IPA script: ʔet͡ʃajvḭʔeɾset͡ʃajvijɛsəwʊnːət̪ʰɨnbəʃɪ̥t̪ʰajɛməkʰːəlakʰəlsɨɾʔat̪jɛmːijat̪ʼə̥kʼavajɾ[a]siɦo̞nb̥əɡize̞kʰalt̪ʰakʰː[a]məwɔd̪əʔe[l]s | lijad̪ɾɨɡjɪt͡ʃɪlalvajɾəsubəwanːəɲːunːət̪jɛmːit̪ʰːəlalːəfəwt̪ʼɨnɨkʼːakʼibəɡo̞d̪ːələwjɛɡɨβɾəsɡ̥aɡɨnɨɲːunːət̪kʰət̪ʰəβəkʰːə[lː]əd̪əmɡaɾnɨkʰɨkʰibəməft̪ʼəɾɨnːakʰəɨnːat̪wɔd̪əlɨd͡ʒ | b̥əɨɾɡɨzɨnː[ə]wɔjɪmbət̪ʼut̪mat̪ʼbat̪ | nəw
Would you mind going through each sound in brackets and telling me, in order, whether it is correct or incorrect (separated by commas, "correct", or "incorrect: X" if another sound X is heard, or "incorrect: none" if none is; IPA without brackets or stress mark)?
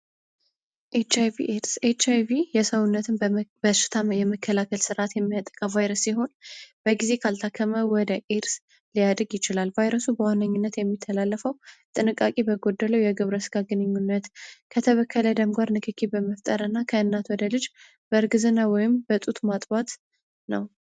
incorrect: ə, incorrect: ə, incorrect: ɾ, incorrect: l, incorrect: a